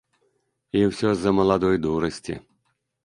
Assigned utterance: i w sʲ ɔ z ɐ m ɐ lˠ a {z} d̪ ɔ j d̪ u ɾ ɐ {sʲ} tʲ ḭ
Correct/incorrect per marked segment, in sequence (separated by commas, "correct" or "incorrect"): incorrect, correct